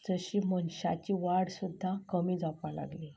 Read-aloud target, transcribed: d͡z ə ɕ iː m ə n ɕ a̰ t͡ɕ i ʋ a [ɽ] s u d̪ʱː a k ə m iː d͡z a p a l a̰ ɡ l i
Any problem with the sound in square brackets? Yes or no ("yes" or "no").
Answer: no